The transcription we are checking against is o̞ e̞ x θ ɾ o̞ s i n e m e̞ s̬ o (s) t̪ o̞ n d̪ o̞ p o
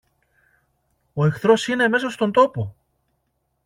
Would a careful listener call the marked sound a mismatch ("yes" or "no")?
no